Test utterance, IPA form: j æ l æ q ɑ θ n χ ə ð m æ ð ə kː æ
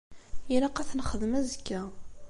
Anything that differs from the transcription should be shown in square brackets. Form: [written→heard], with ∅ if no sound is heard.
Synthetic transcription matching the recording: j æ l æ q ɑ θ n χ ə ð m æ [ð→z] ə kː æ